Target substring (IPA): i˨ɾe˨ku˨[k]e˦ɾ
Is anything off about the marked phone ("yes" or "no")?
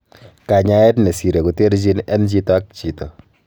yes